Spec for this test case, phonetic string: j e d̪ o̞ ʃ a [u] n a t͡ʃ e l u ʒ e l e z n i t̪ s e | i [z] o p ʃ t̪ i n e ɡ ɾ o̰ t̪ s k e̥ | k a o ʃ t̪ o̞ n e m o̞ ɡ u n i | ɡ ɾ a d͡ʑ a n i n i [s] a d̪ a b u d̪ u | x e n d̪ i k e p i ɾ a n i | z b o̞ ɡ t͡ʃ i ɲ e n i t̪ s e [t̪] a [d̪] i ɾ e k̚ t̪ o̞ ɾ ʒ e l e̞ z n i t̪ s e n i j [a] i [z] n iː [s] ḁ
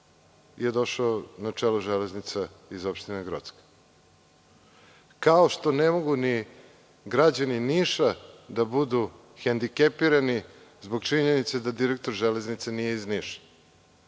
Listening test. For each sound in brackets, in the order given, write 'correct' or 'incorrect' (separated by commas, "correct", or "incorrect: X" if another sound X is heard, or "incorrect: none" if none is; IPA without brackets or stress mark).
incorrect: o, correct, incorrect: ʃ, incorrect: d̪, correct, incorrect: e, correct, incorrect: ʃ